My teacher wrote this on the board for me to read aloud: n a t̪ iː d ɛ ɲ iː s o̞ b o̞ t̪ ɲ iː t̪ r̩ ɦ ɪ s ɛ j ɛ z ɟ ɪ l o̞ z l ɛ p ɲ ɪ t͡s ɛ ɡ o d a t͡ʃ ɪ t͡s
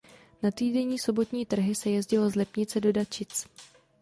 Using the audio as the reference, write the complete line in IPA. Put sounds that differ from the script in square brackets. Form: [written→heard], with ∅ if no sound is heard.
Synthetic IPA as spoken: n a t̪ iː d ɛ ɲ iː s o̞ b o̞ t̪ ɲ iː t̪ r̩ ɦ ɪ s ɛ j ɛ z ɟ ɪ l o̞ z l ɛ p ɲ ɪ t͡s ɛ [ɡ→d] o d a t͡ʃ ɪ t͡s